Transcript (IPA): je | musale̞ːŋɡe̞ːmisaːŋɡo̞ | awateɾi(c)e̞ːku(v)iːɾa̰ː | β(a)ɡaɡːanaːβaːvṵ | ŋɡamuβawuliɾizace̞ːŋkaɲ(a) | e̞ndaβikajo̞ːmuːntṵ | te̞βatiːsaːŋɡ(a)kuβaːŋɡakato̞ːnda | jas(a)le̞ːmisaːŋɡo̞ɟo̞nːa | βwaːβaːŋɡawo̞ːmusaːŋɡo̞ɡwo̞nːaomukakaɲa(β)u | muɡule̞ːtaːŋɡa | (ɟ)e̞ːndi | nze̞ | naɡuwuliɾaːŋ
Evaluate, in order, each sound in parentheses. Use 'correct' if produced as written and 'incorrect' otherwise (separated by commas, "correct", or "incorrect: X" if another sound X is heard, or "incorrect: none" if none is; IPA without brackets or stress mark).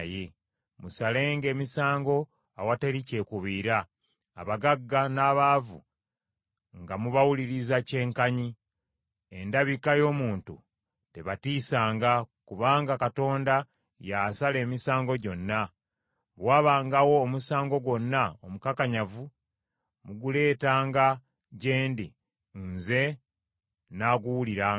correct, incorrect: β, correct, incorrect: i, correct, correct, incorrect: v, correct